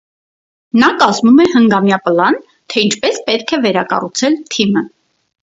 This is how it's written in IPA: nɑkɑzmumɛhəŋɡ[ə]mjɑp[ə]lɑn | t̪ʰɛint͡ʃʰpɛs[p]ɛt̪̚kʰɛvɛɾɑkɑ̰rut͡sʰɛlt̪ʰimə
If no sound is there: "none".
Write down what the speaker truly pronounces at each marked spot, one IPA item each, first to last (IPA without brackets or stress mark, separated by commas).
ɑ, ə, p